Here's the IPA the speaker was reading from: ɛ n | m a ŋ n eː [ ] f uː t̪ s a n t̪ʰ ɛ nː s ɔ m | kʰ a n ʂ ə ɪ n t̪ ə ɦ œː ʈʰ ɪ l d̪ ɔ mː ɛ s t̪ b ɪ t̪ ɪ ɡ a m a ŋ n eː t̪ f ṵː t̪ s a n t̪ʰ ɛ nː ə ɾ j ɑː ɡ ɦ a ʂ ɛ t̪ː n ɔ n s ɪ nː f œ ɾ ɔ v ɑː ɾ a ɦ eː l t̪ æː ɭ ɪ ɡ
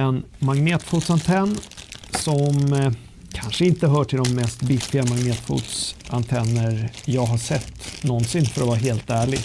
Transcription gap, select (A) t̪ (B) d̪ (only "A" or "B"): A